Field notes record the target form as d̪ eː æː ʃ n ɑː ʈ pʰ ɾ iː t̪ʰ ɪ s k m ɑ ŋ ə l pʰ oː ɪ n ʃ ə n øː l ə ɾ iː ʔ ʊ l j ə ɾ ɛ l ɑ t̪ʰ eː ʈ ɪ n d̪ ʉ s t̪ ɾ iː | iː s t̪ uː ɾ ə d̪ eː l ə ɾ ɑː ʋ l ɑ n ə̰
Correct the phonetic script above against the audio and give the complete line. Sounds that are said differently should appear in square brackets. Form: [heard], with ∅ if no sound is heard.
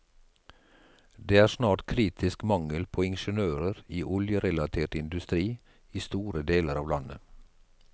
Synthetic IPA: d̪ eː æː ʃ n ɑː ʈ [kʰ] ɾ iː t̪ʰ ɪ s k m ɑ ŋ ə l pʰ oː ɪ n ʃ ə n øː [ɾ] ə ɾ iː ʔ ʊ l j ə ɾ ɛ l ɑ t̪ʰ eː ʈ ɪ n d̪ ʉ s t̪ ɾ iː | iː s t̪ uː ɾ ə d̪ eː l ə ɾ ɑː ʋ l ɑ n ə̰